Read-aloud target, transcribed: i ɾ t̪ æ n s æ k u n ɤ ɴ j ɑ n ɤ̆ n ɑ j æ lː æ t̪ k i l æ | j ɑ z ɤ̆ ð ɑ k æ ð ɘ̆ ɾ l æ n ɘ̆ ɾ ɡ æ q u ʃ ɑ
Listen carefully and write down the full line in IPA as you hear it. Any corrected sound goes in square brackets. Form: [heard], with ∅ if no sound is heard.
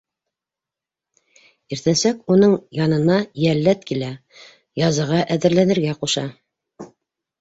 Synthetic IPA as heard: i ɾ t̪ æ n s æ k u n ɤ ɴ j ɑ n ɤ̆ n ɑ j æ lː æ t̪ k i l æ | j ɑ z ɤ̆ [ʁ] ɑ [ʔ] æ ð ɘ̆ ɾ l æ n ɘ̆ ɾ ɡ æ q u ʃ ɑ